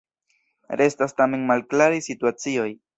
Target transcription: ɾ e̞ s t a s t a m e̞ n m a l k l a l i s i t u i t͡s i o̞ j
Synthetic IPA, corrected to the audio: ɾ e̞ s t a s t a m e̞ n m a l k l a ɾ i s i t u a t͡s i o̞ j